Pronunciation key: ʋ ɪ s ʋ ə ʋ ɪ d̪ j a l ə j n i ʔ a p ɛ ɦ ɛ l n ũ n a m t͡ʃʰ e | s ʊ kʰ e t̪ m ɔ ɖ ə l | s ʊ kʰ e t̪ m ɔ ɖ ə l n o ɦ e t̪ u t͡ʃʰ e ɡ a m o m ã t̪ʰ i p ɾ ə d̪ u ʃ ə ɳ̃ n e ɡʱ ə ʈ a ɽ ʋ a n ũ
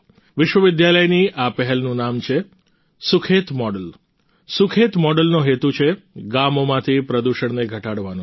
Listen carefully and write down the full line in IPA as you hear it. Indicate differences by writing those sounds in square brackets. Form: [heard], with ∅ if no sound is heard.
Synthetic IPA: ʋ ɪ [ʃ] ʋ ə ʋ ɪ d̪ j a l ə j n i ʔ a p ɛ ɦ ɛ l n ũ n a m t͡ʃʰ e | s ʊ kʰ e t̪ m ɔ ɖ ə l | s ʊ kʰ e t̪ m ɔ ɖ ə l n o ɦ e t̪ u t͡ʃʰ e ɡ a m o m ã t̪ʰ i p ɾ ə d̪ u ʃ ə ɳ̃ n e ɡʱ ə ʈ a ɽ ʋ a n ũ